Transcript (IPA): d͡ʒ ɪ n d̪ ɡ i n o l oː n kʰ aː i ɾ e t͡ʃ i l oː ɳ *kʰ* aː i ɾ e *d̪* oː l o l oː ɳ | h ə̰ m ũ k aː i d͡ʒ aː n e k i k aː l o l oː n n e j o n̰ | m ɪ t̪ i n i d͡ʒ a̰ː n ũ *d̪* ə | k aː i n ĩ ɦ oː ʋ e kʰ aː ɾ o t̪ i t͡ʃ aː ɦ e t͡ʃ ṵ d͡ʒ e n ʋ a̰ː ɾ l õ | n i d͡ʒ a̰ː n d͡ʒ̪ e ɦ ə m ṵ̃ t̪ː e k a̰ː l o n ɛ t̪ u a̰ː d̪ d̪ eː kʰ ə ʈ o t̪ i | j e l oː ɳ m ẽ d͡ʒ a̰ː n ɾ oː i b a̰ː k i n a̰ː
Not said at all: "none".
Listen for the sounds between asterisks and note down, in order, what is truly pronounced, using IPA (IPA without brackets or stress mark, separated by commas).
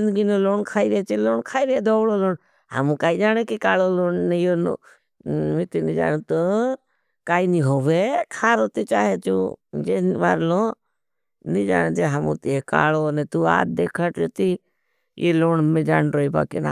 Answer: kʰ, d̪, t̪